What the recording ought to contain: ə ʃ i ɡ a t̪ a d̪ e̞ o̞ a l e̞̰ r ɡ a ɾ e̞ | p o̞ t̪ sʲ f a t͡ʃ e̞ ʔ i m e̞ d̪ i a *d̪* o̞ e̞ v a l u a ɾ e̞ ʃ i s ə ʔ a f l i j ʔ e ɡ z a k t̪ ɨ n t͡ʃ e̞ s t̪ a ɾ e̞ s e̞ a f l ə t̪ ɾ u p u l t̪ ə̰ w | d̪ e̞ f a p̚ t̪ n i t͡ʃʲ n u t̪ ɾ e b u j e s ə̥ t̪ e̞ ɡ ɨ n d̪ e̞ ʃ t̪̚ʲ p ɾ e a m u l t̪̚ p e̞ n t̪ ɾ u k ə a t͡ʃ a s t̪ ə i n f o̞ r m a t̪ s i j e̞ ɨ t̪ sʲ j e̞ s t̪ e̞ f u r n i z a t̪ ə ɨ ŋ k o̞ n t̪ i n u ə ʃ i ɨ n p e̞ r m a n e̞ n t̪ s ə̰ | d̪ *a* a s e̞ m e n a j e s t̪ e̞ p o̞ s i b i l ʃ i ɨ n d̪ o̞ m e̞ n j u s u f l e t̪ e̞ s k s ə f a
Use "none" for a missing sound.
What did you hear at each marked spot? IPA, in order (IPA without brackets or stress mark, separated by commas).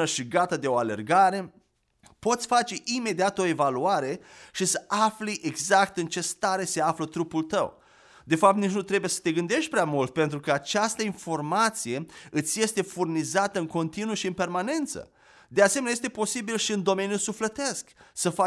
t̪, e